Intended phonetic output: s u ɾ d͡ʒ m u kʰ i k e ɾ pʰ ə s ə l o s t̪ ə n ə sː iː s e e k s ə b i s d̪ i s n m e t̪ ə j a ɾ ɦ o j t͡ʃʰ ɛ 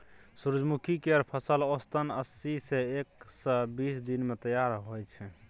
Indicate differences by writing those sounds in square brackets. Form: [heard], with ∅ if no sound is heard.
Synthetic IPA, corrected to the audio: s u ɾ d͡ʒ m u kʰ i k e ɾ pʰ ə s ə l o s t̪ ə n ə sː [i] s e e k s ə b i s d̪ i [∅] n m e t̪ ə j a ɾ ɦ o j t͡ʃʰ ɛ